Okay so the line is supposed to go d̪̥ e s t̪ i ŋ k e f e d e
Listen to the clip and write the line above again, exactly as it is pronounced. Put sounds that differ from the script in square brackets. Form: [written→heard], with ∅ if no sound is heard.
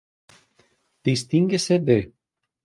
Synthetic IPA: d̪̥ [e→i] s t̪ i ŋ [k→ɡ] e [f→s] e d e

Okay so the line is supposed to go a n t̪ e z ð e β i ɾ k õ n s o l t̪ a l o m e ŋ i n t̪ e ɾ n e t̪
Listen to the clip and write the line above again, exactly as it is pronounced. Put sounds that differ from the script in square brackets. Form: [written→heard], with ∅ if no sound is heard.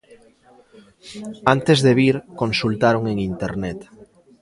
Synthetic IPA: a n t̪ e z ð e β i ɾ k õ n s [o→u] l t̪ a [l→ɾ] o [m→ŋ] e ŋ i n t̪ e ɾ n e t̪

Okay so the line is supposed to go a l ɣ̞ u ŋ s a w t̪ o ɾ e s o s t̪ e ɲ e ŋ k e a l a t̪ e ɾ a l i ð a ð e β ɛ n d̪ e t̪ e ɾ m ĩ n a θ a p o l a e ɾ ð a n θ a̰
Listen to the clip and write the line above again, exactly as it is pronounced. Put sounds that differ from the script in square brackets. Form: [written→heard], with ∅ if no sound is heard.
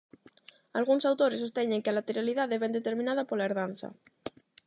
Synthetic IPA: a l ɣ̞ u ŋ s a w t̪ o ɾ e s o s t̪ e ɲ e ŋ k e a l a t̪ e ɾ a l i ð a ð e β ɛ n d̪ e t̪ e ɾ m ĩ n a [θ→ð] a p o l a e ɾ ð a n θ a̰

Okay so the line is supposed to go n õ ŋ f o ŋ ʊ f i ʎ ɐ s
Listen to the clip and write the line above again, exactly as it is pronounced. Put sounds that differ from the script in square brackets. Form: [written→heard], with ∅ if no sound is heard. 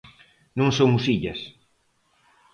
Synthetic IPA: n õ ŋ [f→s] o [ŋ→m] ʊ [f→s] i ʎ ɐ s

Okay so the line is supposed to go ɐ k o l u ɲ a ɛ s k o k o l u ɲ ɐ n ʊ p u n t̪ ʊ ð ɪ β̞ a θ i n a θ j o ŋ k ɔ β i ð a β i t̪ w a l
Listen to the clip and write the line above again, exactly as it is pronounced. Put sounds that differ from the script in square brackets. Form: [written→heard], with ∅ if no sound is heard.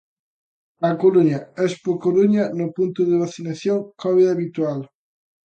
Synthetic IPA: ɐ k o l u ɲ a ɛ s [k→p] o k o l u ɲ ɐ n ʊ p u n t̪ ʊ ð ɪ β̞ a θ i n a θ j o ŋ k ɔ β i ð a β i t̪ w a l

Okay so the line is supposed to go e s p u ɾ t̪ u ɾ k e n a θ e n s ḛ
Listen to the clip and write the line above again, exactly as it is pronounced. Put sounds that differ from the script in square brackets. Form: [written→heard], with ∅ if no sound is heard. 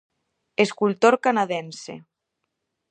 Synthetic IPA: e s [p→k] u [ɾ→l] t̪ [u→o] ɾ k [e→a] n a [θ→ð] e n s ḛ

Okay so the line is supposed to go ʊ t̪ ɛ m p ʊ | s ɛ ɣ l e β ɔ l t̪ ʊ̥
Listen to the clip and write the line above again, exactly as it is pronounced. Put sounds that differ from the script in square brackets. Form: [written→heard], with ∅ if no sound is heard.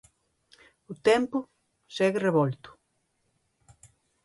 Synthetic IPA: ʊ t̪ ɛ m p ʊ | s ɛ ɣ [l→r] e β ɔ l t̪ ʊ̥

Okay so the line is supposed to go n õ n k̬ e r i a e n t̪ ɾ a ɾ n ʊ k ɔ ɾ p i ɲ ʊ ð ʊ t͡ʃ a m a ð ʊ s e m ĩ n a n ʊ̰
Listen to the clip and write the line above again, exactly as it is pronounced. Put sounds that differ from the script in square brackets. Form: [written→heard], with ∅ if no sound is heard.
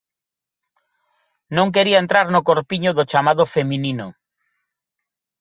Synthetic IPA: n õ [n→ŋ] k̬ e [r→ɾ] i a e n t̪ ɾ a ɾ n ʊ k [ɔ→o] ɾ p i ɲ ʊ ð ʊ t͡ʃ a m a ð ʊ [s→f] e m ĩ n [a→i] n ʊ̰

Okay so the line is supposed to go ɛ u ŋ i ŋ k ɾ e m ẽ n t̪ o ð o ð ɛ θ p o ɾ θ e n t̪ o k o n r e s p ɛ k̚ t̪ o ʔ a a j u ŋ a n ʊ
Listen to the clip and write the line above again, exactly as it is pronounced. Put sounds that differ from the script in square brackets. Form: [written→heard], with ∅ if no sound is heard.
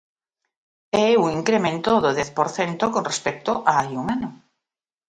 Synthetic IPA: ɛ u ŋ i ŋ k ɾ e m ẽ n t̪ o ð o ð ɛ θ p o ɾ θ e n t̪ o k o n r e s p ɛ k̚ t̪ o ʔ a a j u ŋ a n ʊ

